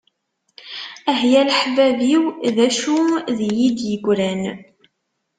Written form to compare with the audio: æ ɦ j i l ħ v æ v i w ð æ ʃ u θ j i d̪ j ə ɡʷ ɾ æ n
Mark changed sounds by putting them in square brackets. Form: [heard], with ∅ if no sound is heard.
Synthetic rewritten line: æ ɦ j [æ] l ħ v æ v i w ð æ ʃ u [ð] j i d̪ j ə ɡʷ ɾ æ n